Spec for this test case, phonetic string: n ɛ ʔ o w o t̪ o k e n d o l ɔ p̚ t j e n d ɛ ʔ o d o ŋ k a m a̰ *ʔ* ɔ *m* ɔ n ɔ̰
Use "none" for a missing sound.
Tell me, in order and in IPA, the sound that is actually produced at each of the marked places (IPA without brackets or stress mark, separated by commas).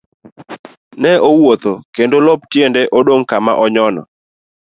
ʔ, ɲ